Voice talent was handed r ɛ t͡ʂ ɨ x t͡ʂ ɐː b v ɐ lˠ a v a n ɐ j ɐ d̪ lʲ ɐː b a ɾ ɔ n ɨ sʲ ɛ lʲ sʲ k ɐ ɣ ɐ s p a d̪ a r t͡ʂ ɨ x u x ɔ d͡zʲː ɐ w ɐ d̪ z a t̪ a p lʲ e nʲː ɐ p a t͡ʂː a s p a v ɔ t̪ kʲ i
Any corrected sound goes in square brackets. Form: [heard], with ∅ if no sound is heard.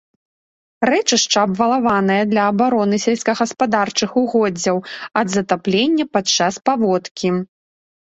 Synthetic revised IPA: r ɛ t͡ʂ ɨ [ʂ] t͡ʂ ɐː b v ɐ lˠ a v a n ɐ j ɐ d̪ lʲ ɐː b a ɾ ɔ n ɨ sʲ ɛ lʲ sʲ k ɐ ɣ ɐ s p a d̪ a r t͡ʂ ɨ x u [ɣ] ɔ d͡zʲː ɐ w ɐ d̪ z [ɐ] t̪ a p lʲ e nʲː ɐ p a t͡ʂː a s p a v ɔ t̪ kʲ i